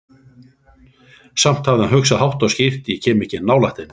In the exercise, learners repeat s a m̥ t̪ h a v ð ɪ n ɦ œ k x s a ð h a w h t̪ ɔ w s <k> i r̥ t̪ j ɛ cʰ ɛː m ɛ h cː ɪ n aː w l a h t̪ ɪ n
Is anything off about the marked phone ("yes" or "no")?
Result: yes